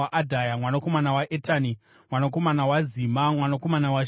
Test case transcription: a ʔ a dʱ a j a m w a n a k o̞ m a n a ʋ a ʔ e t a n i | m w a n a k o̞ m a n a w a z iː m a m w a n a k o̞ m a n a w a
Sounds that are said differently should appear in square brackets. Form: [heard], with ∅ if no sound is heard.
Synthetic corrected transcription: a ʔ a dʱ a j a m w a n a k o̞ m a n a [w] a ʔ e t a n i | m w a n a k o̞ m a n a w a z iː m a m w a n a k o̞ m a n a w a